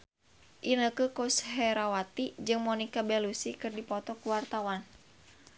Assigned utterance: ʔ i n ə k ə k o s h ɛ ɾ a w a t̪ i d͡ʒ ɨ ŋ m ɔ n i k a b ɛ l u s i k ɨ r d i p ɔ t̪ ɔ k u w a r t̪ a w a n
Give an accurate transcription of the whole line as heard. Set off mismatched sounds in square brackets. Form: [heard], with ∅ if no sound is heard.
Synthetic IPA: ʔ i n ə k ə k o s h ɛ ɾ a w a t̪ i d͡ʒ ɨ ŋ m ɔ n i k a b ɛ l u s i k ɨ r d i p ɔ t̪ ɔ k u w a r t̪ a w a n